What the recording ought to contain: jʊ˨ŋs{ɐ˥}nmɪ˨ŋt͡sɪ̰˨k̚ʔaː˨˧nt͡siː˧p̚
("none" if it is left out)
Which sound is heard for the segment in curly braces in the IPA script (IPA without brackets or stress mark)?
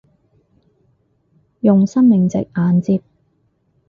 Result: ɐ˥